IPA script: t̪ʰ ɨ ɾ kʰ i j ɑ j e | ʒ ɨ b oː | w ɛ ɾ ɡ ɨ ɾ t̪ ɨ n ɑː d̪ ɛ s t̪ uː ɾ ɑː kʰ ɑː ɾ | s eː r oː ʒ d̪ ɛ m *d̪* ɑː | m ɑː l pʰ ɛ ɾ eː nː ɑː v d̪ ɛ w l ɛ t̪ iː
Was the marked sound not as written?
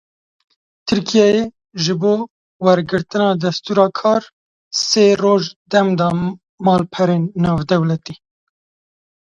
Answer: no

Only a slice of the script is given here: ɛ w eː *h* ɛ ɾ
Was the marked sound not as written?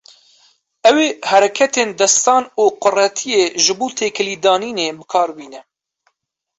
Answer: no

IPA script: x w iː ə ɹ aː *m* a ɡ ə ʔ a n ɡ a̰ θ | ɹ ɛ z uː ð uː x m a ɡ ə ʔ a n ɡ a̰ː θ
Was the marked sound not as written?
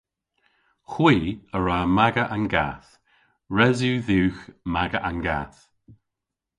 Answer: no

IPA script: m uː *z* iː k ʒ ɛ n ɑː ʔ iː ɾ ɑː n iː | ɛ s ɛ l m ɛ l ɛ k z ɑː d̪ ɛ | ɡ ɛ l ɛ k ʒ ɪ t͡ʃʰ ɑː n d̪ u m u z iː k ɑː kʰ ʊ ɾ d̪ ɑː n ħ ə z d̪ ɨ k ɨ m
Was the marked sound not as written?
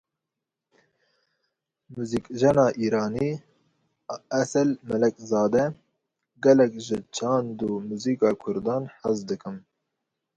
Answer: no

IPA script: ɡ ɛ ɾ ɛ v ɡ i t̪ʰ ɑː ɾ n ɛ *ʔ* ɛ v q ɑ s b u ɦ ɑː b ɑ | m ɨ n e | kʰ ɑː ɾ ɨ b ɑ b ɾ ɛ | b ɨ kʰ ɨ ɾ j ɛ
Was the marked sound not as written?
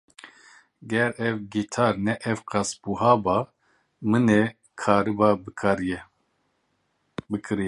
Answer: no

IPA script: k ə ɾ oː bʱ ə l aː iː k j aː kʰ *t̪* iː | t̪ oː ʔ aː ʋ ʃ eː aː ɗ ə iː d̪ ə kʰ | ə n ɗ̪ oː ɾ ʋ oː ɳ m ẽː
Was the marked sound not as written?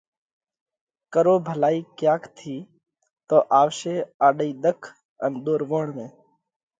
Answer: yes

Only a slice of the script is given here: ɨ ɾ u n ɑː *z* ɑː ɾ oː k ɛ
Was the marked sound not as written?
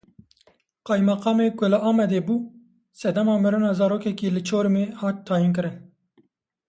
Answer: no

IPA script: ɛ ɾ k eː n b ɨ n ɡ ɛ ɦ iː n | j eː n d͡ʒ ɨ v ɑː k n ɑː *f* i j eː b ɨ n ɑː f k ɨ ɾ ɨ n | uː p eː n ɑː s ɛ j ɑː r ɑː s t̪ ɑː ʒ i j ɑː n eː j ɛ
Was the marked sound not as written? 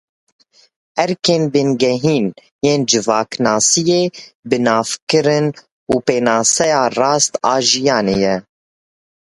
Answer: yes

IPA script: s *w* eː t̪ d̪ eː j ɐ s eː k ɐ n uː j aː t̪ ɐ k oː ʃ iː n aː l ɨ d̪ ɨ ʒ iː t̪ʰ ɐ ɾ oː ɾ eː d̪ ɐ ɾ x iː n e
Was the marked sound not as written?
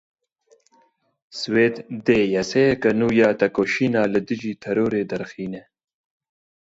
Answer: no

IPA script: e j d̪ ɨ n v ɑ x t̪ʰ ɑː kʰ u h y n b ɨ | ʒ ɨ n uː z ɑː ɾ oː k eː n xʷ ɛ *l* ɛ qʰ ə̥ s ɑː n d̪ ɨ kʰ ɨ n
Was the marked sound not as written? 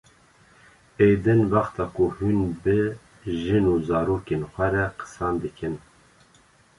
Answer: yes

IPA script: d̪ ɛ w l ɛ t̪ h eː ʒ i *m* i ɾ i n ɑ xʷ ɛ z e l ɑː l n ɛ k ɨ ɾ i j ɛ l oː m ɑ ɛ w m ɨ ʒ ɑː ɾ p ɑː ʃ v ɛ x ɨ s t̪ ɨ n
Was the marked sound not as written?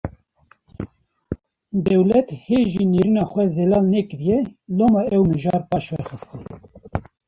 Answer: yes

